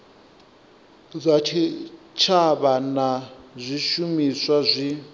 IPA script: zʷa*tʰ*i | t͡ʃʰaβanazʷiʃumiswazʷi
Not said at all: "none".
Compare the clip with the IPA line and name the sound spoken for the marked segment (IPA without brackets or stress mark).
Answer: tʰ